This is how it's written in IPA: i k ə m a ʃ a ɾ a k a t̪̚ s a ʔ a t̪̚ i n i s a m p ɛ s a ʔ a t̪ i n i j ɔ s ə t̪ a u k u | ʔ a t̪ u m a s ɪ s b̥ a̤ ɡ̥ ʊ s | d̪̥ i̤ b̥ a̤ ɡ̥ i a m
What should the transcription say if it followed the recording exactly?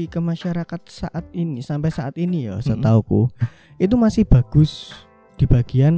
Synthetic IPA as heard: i k ə m a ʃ a ɾ a k a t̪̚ s a ʔ a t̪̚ i n i s a m p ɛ s a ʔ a t̪ i n i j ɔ s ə t̪ a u k u | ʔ i t̪ u m a s ɪ h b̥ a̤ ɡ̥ ʊ s | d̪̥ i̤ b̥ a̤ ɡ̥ i a n